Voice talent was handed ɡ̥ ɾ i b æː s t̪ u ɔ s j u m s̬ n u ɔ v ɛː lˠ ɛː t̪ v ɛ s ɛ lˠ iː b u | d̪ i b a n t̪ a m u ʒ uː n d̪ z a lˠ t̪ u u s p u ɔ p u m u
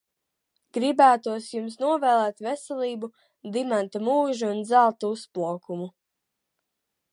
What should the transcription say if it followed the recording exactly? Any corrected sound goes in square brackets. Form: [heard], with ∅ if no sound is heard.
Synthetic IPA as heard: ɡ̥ ɾ i b æː [∅] t̪ u ɔ s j u m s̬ n u ɔ v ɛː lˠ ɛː t̪ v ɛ s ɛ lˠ iː b u | d̪ i [m] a n t̪ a m [uː] ʒ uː n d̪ z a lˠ t̪ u u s p u ɔ [k] u m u